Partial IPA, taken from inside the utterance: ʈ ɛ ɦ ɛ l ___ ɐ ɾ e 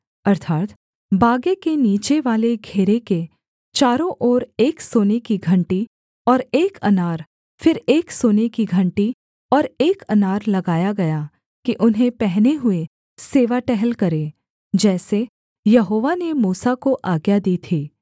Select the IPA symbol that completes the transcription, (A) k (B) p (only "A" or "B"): A